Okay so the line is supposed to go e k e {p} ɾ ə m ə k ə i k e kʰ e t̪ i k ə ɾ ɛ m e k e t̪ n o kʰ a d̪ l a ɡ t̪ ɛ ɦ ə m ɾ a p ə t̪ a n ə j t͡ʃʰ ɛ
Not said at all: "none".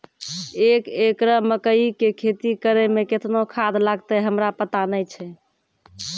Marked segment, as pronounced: k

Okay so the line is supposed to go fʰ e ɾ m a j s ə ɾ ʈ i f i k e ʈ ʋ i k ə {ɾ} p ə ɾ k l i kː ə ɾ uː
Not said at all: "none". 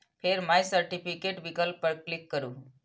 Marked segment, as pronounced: l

